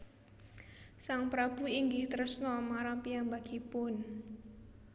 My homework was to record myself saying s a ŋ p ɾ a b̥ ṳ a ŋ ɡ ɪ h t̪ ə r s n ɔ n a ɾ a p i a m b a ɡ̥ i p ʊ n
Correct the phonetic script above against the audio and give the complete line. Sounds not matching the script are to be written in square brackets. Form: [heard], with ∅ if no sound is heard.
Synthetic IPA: s a ŋ p ɾ a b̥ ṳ [i] ŋ ɡ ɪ h t̪ ə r s n ɔ [m] a ɾ a p i a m b a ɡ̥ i p ʊ n